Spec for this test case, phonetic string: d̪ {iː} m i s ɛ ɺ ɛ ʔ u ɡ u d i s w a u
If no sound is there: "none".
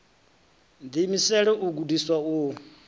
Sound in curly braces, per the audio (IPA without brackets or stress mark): i